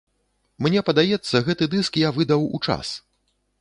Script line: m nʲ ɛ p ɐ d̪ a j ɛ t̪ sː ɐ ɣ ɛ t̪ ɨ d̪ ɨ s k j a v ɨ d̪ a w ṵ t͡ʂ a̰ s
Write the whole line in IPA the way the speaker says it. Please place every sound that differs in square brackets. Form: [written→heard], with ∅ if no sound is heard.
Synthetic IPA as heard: m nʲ ɛ p ɐ d̪ a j ɛ t̪ sː ɐ ɣ ɛ t̪ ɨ d̪ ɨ s k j a v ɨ d̪ [a→ɐ] w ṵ t͡ʂ a̰ s